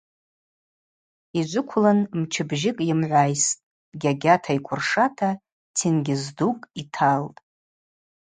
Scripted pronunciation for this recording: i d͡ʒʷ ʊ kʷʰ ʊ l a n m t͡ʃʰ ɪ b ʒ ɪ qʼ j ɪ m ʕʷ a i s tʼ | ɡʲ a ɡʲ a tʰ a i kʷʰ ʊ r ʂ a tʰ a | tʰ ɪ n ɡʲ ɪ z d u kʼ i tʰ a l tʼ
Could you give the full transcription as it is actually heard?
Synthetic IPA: i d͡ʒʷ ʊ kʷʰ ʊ l a n m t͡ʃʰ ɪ b ʒ ɪ kʼ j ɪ m ʕʷ a j s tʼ | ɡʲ a ɡʲ a tʰ a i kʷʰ ʊ r ʂ a tʰ a | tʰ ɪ n ɡʲ ɪ z d u kʼ i tʰ a l tʼ

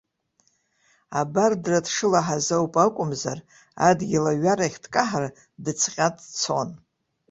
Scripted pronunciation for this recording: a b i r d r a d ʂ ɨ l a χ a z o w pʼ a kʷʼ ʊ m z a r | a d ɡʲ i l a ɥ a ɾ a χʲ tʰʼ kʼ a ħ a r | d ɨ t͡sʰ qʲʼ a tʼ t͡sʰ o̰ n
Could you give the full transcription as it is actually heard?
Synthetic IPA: a b a r d r a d ʂ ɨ l a ħ a z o w pʼ a kʷʼ ʊ m z a r | a d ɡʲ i l a ɥ a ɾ a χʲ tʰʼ kʼ a ħ a r | d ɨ t͡sʰ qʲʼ a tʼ t͡sʰ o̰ n

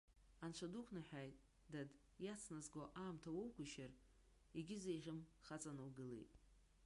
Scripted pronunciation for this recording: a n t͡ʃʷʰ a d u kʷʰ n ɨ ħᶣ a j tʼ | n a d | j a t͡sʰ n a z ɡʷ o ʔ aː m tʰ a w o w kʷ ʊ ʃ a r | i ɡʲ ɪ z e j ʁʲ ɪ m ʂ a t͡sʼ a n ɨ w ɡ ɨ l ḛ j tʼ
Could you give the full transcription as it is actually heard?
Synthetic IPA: a n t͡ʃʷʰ a d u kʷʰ n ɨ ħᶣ a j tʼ | d a d | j a t͡sʰ n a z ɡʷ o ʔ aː m tʰ a w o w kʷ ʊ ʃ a r | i ɡʲ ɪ z e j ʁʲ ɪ m χ a t͡sʼ a n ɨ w ɡ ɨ l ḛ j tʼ

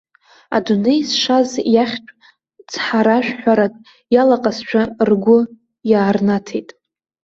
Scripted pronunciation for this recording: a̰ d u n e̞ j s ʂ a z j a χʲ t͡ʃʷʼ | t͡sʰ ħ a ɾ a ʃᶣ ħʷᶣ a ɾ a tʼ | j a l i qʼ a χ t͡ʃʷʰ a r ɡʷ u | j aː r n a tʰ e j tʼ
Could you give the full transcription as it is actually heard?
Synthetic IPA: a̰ d u n e̞ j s ʂ a z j a χʲ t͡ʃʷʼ | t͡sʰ ħ a ɾ a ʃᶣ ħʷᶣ a ɾ a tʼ | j a l a qʼ a s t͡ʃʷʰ a r ɡʷ ʊ | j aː r n a tʰ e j tʼ

